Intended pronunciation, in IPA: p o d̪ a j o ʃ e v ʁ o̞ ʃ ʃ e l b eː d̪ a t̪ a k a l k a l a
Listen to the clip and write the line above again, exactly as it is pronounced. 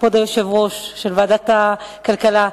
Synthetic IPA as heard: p o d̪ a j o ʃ e v ʁ o̞ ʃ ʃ e l v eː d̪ a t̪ a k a l k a l a